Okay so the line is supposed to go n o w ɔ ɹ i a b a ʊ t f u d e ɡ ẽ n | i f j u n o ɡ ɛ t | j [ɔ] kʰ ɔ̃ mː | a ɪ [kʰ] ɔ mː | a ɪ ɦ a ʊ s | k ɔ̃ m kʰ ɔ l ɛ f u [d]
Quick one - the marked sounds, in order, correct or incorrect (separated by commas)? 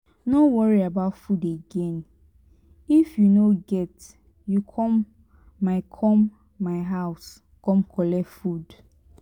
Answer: incorrect, correct, correct